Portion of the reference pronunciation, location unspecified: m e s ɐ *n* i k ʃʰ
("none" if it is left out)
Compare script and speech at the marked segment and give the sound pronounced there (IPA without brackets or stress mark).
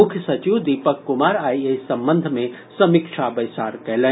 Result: m